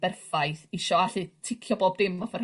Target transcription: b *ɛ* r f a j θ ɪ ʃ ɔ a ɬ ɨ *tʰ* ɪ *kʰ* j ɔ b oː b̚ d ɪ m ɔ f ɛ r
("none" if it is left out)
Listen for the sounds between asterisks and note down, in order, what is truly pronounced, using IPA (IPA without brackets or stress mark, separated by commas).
ɛ, tʰ, kʰ